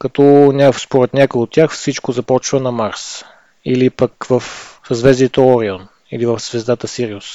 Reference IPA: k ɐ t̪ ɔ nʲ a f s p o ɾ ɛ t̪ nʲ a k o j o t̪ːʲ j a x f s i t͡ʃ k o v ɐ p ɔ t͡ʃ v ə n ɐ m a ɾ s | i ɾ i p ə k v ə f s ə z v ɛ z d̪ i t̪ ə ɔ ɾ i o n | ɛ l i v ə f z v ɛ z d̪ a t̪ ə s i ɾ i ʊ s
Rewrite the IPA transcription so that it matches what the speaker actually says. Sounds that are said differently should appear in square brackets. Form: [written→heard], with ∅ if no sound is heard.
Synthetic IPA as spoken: k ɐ t̪ ɔ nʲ a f s p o ɾ ɛ t̪ nʲ a k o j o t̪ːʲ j a x f s i t͡ʃ k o [v→z] ɐ p ɔ t͡ʃ v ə n ɐ m a ɾ s | i [ɾ→l] i p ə k v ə f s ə z v ɛ z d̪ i t̪ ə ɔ ɾ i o n | [ɛ→i] l i v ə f z v ɛ z d̪ a t̪ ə s i ɾ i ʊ s